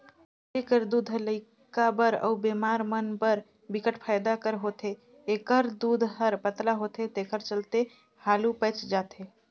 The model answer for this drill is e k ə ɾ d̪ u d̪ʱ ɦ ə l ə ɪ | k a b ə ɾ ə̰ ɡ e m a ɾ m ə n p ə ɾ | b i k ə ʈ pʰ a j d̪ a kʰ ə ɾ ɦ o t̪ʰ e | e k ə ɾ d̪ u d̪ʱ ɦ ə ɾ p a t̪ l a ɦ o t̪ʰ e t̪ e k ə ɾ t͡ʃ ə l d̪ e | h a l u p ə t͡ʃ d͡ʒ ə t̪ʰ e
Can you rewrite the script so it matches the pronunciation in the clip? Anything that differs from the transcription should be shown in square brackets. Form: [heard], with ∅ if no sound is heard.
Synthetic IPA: e k ə ɾ d̪ u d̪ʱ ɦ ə l ə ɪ | k a b ə ɾ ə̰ [b] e m a ɾ m ə n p ə ɾ | b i k ə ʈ pʰ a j d̪ a [k] ə ɾ ɦ o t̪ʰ e | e k ə ɾ d̪ u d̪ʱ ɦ ə ɾ p [ə] t̪ l a ɦ o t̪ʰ e t̪ e k ə ɾ t͡ʃ ə l [t̪] e | h a l u p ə t͡ʃ d͡ʒ [a] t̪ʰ e

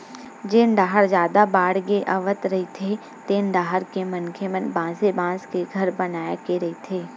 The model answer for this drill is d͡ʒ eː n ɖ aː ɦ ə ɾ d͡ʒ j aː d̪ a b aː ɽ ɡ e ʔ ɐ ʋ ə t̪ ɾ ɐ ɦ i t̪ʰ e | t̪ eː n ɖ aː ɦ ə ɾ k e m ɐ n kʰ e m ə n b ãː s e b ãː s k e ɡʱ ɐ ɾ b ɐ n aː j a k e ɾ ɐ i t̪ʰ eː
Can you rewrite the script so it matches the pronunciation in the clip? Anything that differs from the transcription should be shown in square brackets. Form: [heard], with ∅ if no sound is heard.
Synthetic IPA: d͡ʒ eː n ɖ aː ɦ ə ɾ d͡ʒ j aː d̪ a b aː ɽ ɡ e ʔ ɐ ʋ ə t̪ ɾ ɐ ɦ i t̪ʰ e | t̪ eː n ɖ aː ɦ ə ɾ k e m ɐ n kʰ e m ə n b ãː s e b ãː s k e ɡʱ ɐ ɾ b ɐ n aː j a k e ɾ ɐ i t̪ʰ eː

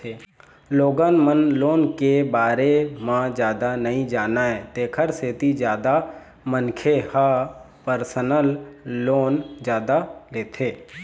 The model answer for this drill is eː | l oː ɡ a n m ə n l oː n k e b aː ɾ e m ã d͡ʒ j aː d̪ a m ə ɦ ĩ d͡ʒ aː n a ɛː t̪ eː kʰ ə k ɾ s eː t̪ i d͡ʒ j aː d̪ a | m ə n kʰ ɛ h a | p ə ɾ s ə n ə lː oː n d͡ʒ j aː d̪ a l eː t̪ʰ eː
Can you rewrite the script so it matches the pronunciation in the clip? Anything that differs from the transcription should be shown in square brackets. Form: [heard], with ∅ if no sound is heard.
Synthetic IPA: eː | l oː ɡ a n m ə n l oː n k e b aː ɾ e m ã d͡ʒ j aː d̪ a [n] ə ɦ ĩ d͡ʒ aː n a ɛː t̪ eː kʰ ə [∅] ɾ s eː t̪ i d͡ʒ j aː d̪ a | m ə n kʰ [e] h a | p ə ɾ s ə n ə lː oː n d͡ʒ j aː d̪ a l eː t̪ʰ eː

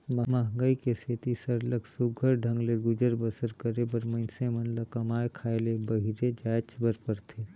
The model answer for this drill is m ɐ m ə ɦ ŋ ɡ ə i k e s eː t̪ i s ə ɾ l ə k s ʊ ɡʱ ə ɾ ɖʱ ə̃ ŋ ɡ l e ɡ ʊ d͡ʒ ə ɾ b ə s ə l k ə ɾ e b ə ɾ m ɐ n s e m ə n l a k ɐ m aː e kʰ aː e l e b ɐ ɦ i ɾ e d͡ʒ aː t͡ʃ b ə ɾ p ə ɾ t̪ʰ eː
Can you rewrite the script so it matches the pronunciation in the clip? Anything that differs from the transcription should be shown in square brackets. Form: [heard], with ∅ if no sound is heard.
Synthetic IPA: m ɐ m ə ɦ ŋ ɡ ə i k e s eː t̪ i s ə ɾ l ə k s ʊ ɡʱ ə ɾ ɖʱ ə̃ ŋ ɡ l e ɡ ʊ d͡ʒ ə ɾ b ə s ə [ɾ] k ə ɾ e b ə ɾ m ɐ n s e m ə n l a k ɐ m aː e kʰ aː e l e b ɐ ɦ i ɾ e d͡ʒ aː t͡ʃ b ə ɾ p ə ɾ t̪ʰ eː

